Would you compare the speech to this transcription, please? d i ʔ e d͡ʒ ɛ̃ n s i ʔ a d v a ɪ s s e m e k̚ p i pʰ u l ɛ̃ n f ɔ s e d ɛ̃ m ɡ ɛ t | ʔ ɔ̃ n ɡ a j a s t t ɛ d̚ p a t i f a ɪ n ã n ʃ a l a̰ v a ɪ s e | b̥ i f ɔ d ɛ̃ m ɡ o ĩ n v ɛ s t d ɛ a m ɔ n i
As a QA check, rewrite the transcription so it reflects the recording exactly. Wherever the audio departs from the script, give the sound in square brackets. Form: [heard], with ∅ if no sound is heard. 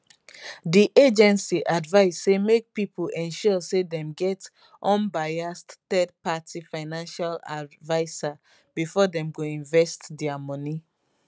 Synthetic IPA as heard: d i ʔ e d͡ʒ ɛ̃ n s i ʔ a d v a ɪ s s e m e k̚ p i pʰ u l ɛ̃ n [ʃ] ɔ s e d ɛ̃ m ɡ ɛ t | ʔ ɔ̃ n [b] a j a s t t ɛ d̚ p a t i f a ɪ n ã n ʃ a l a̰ v a ɪ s [a] | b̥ i f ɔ d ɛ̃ m ɡ o ĩ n v ɛ s t d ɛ a m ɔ n i